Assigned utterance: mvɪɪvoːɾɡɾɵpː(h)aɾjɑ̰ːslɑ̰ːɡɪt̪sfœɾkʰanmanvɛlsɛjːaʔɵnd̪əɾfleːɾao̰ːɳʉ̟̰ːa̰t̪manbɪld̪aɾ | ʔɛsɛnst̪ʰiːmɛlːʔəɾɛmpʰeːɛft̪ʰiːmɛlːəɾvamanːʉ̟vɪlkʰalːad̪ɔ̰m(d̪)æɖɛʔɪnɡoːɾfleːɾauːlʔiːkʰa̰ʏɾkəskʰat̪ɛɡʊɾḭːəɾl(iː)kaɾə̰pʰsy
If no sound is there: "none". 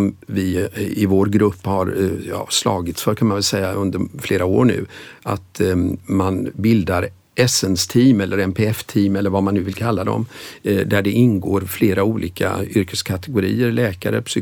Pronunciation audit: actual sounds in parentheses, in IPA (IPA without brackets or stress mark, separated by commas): h, d̪, ɛː